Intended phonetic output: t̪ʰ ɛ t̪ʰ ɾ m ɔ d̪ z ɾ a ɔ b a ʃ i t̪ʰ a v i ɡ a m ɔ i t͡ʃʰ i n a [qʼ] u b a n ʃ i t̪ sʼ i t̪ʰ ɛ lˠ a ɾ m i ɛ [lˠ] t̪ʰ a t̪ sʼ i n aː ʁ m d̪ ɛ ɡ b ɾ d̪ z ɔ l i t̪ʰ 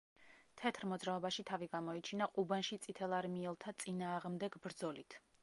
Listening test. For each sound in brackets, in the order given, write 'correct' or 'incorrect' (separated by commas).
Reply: correct, correct